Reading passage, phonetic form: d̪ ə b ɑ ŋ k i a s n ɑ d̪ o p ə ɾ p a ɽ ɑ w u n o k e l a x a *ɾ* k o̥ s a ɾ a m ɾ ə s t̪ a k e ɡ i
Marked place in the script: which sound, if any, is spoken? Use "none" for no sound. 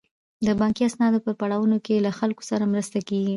l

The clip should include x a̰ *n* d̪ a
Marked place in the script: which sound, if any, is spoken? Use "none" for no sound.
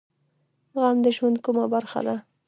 none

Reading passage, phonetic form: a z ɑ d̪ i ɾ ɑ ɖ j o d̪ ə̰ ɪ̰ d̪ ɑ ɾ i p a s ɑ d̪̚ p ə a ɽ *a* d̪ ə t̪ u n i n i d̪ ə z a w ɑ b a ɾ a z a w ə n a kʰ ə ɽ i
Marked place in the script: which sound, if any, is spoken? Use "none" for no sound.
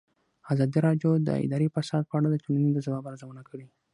a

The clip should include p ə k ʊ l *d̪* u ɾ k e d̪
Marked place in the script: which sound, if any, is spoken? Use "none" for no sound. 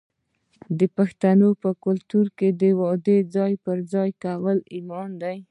t̪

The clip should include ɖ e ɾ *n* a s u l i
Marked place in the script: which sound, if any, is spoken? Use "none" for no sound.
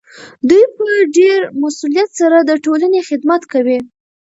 m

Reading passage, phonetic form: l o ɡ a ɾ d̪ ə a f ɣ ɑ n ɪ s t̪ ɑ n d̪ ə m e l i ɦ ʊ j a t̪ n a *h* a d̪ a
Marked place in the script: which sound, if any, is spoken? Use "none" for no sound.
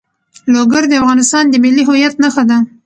x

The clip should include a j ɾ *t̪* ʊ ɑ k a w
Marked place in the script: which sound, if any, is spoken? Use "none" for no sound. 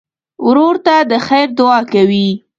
d̪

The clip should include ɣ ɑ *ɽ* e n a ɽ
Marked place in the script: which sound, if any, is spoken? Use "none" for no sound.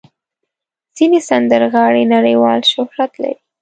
ɽ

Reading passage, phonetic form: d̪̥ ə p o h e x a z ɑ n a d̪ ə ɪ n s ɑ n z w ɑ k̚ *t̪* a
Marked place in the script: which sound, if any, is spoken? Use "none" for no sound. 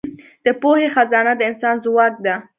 d̪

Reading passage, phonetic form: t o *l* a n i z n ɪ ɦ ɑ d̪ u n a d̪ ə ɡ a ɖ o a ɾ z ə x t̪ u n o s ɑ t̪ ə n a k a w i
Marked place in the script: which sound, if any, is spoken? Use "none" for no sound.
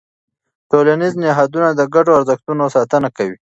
l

